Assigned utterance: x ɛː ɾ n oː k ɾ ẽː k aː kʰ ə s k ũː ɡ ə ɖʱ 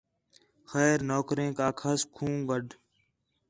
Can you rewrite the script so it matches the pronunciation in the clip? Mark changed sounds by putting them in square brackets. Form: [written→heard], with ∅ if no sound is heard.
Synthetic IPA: x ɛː ɾ n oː k ɾ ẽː k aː kʰ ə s [k→kʰ] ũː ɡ ə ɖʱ